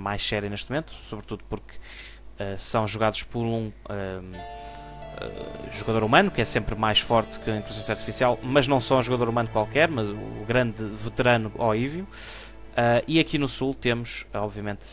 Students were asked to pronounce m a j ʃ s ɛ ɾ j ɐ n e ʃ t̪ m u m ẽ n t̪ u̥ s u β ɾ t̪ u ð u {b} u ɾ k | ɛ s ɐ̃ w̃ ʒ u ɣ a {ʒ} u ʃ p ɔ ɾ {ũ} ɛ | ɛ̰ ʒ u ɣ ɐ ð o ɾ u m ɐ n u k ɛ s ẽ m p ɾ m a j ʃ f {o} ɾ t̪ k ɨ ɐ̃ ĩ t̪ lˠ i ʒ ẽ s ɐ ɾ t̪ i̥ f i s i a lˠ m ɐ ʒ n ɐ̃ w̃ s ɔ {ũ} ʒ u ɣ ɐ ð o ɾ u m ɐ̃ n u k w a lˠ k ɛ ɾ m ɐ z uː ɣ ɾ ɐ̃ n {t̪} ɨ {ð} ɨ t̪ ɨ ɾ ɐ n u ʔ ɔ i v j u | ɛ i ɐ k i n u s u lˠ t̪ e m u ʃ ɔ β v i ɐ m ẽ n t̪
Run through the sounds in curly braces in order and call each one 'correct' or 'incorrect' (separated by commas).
incorrect, incorrect, correct, incorrect, correct, incorrect, incorrect